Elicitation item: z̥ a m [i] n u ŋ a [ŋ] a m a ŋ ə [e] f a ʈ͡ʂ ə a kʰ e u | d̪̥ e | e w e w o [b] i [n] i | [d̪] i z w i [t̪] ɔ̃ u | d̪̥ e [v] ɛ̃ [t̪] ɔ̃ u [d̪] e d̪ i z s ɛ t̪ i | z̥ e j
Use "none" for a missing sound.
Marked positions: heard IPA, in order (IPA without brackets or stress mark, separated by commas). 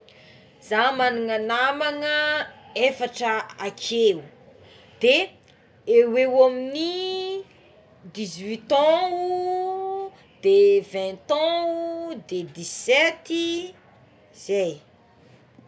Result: a, n, e, m, n, d̪, t̪, v, t̪, d̪